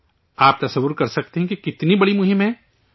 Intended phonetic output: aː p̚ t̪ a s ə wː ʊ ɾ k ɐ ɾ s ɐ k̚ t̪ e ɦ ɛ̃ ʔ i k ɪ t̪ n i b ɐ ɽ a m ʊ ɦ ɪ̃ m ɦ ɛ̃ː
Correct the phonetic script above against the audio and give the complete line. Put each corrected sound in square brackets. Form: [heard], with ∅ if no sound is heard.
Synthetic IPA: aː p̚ t̪ [ɐ] s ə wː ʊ ɾ k ɐ ɾ s ɐ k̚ t̪ e ɦ ɛ̃ [k] i k ɪ t̪ n i b ɐ ɽ [i] m ʊ ɦ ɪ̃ m ɦ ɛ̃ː